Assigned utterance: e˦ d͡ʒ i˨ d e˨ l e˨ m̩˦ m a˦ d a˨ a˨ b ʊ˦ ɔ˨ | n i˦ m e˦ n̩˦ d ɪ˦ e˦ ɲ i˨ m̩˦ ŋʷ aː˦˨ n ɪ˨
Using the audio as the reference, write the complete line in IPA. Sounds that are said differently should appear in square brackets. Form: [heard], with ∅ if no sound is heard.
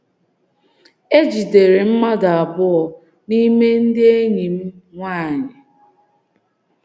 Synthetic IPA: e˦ d͡ʒ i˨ d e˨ [ɾ] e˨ m̩˦ m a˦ d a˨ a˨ b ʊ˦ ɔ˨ | n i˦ m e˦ n̩˦ d ɪ˦ e˦ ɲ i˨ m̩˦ ŋʷ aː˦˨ [ɲ] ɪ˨

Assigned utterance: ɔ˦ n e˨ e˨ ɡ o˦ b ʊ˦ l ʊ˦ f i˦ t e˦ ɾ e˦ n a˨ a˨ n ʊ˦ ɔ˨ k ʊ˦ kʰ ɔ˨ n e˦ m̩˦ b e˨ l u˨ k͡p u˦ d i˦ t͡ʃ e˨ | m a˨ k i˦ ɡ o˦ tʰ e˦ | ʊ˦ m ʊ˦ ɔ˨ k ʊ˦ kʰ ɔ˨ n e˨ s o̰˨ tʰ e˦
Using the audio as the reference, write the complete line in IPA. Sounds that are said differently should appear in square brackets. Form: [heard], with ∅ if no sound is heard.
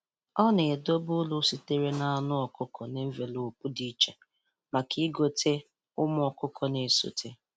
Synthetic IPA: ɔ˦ n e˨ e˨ [d] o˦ b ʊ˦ l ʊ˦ [s] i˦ t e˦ ɾ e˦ n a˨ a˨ n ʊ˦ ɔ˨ k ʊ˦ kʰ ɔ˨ n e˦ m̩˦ [v] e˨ l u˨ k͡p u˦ d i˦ t͡ʃ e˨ | m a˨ k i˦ ɡ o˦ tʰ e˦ | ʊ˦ m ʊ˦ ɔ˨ k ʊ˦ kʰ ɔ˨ n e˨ s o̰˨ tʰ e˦

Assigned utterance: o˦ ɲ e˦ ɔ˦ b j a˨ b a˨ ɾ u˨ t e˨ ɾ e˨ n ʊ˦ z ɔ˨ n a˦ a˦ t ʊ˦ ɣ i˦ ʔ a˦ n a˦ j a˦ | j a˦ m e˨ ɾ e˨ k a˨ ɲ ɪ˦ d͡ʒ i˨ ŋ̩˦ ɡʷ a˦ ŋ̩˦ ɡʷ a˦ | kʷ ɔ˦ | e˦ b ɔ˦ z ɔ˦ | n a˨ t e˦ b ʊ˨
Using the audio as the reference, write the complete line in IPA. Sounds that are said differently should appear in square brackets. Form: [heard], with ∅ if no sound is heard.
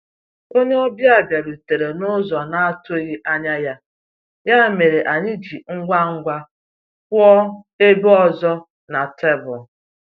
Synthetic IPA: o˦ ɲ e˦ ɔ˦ b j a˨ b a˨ ɾ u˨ t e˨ ɾ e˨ n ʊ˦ z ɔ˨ n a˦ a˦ t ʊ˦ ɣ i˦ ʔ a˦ [ɲ] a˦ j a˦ | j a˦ m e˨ ɾ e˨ [ʔ] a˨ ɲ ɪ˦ d͡ʒ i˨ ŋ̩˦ ɡʷ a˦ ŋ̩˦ ɡʷ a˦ | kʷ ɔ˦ | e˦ b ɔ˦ z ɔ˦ | n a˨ t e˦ b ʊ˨

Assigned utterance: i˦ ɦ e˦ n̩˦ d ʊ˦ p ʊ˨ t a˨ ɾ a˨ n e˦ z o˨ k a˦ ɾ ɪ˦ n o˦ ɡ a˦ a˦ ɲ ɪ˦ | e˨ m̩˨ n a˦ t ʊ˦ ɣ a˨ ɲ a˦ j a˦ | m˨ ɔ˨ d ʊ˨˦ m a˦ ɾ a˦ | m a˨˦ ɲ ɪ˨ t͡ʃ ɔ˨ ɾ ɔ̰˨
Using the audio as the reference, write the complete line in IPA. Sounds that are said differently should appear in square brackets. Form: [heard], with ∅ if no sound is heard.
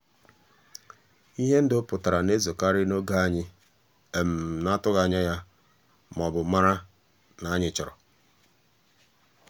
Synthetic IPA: i˦ ɦ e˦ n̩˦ d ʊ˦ p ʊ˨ t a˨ ɾ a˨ n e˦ z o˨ k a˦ ɾ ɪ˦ n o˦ ɡ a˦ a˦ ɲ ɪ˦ | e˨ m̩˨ n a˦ t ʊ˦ ɣ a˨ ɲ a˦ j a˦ | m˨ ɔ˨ [b] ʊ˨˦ m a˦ ɾ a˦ | [n] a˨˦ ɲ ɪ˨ t͡ʃ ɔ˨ ɾ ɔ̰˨

